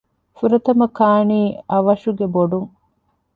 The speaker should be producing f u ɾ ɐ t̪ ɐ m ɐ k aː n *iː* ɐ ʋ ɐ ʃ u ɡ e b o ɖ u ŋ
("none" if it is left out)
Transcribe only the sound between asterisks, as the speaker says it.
iː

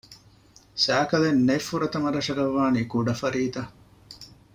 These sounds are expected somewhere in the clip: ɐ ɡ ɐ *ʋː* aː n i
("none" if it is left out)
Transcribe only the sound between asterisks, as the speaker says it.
ʋː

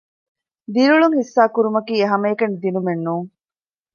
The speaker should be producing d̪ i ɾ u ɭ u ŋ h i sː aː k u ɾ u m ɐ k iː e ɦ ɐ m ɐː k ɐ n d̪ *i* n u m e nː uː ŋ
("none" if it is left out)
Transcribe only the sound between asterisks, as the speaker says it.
i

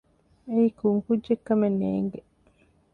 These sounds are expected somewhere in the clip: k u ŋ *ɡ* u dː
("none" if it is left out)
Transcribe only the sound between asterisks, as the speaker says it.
k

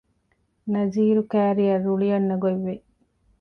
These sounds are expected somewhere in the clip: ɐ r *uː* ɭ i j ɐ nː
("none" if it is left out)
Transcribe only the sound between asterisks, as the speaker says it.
u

